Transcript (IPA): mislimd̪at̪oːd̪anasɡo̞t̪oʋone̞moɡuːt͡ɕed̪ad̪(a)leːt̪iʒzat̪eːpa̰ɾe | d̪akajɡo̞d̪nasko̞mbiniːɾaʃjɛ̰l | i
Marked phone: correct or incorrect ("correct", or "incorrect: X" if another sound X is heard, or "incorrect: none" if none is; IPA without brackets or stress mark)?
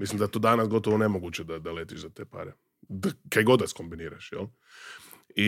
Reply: correct